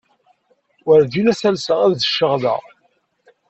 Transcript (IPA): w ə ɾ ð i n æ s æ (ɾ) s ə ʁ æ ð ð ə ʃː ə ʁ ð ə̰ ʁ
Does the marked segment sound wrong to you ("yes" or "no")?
yes